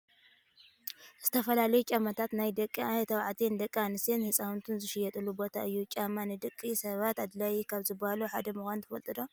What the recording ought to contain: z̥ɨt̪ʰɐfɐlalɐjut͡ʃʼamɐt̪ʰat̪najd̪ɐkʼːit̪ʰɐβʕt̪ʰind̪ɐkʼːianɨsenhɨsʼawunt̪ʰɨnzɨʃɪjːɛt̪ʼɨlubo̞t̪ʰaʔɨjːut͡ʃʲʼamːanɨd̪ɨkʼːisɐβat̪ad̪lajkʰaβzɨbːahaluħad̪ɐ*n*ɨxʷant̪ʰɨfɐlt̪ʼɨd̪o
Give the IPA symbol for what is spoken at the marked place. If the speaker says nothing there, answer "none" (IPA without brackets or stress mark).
m